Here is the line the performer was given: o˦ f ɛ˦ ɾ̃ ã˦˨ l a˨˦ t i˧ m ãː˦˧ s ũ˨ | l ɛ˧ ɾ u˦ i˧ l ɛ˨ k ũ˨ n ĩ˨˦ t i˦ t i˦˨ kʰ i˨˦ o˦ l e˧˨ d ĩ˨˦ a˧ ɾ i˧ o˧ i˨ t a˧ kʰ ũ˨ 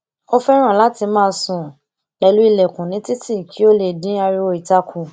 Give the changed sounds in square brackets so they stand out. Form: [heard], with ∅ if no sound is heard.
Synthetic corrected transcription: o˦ f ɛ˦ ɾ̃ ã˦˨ l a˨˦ t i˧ m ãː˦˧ s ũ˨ | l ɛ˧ [l] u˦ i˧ l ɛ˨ k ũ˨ n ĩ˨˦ t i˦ t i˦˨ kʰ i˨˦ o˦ l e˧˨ d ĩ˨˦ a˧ ɾ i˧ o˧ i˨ t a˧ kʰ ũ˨